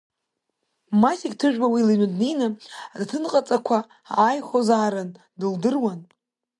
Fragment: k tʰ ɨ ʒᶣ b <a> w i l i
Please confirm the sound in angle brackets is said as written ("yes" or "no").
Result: yes